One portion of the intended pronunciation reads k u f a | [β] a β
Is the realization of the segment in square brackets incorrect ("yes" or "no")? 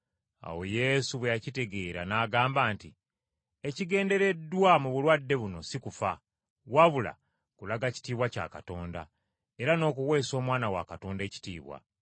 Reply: yes